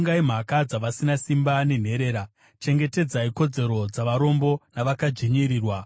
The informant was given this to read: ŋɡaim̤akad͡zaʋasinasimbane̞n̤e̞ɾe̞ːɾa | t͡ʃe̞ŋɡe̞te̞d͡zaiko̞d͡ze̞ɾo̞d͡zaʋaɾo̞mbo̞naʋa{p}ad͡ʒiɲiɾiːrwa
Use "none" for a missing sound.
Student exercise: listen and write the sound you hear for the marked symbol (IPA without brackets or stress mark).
k